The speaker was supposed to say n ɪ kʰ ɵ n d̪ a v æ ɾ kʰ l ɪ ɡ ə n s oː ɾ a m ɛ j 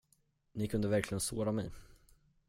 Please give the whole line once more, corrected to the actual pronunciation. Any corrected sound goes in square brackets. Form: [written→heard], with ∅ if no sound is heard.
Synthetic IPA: n ɪ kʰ ɵ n d̪ [a→ə] v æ ɾ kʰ l ɪ ɡ ə n s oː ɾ a m ɛ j